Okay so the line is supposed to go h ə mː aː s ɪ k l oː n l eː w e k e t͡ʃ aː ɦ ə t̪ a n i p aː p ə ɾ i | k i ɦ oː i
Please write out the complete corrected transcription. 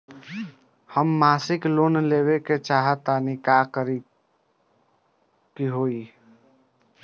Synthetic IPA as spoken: h ə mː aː s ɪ k l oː n l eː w e k e t͡ʃ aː ɦ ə t̪ a n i k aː k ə ɾ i | k i ɦ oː i